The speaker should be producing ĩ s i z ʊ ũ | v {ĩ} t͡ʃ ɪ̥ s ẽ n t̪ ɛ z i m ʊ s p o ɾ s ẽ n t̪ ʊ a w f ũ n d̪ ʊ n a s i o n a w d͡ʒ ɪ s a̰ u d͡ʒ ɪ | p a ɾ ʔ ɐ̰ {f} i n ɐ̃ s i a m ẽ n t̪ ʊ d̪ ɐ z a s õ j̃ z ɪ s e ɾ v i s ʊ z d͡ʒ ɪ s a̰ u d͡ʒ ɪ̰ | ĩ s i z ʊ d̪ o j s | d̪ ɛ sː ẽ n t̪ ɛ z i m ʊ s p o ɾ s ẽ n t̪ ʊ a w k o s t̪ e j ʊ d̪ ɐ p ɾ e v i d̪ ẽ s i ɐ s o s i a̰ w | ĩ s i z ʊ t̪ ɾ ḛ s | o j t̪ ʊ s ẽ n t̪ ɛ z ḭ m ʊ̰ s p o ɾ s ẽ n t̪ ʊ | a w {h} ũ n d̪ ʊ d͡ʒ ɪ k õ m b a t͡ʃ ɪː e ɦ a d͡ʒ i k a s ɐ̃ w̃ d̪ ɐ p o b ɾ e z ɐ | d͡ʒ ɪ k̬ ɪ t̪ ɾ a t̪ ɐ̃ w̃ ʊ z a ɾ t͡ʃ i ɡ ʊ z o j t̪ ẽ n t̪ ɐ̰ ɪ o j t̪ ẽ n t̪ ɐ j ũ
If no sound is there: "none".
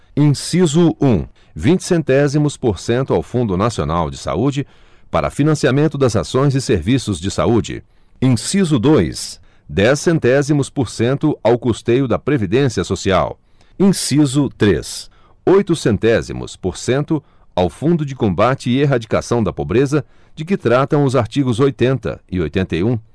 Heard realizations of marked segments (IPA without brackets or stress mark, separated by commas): ĩ, f, f